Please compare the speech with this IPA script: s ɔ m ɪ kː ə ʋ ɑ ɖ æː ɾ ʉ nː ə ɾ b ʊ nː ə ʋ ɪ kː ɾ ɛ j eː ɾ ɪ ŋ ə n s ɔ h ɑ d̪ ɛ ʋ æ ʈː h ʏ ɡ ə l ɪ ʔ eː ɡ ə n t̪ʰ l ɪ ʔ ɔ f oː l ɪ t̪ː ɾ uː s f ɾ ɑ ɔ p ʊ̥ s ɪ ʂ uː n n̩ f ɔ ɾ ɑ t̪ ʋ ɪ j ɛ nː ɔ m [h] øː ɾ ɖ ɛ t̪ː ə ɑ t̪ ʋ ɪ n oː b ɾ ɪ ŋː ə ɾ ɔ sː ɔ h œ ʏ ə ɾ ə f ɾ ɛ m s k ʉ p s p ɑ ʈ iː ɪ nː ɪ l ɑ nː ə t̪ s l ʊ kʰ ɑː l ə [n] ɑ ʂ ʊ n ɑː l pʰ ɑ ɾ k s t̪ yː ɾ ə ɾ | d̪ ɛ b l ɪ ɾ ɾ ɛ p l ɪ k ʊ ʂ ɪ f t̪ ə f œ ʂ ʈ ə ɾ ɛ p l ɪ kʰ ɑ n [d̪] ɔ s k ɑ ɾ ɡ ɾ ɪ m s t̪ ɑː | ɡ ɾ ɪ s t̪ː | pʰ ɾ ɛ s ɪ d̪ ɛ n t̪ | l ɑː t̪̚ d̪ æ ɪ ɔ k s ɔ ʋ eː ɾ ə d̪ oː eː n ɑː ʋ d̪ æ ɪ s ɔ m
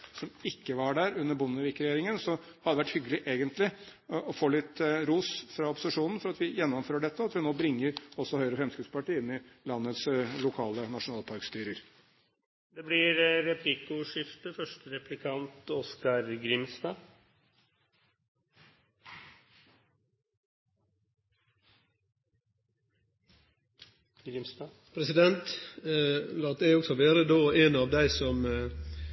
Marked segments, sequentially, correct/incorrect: incorrect: f, correct, incorrect: t̪

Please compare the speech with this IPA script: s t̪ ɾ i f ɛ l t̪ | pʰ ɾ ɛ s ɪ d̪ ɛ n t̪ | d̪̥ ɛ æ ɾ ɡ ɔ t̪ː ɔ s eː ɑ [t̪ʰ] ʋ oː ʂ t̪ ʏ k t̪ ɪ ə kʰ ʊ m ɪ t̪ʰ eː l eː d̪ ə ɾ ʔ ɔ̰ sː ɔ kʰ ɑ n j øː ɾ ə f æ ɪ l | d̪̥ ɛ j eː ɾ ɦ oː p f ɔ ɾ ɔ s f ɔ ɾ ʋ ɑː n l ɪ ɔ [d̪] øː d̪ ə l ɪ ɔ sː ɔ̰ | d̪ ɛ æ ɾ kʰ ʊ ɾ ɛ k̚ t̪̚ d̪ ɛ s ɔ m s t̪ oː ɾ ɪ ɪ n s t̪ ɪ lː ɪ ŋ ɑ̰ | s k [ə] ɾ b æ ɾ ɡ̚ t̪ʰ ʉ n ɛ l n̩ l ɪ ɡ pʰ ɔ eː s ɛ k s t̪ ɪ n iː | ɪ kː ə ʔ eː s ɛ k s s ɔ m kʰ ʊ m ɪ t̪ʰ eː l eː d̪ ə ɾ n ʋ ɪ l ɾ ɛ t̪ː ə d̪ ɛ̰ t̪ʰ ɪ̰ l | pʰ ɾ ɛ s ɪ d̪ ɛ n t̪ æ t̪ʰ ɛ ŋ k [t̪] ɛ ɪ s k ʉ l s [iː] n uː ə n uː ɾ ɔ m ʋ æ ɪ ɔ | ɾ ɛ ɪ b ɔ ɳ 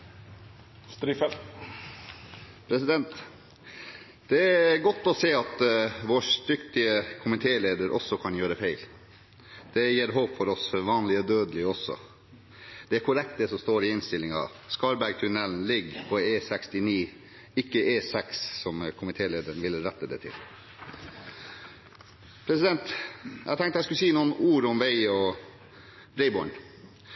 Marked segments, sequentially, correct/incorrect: incorrect: t̪, correct, incorrect: ɑ, correct, correct

